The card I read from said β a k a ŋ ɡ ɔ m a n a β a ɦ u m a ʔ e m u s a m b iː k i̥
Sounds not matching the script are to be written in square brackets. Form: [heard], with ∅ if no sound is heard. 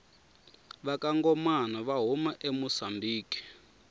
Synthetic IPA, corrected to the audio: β a k a ŋ ɡ ɔ m a n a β a ɦ u m a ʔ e m u s a m b iː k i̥